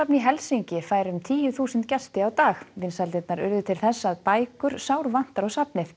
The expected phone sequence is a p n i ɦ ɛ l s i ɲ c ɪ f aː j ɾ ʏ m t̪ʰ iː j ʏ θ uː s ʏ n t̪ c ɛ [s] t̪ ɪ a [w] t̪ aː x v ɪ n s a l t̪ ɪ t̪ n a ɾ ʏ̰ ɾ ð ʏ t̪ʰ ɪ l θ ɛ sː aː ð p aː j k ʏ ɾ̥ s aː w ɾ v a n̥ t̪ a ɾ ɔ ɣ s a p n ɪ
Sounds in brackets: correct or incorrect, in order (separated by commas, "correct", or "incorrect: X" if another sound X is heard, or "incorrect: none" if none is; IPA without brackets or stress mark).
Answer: correct, correct